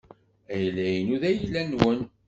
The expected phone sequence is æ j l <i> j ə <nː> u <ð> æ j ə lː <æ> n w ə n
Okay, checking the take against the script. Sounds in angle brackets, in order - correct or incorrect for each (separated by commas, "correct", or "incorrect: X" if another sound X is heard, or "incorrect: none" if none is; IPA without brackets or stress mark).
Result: incorrect: æ, incorrect: n, correct, correct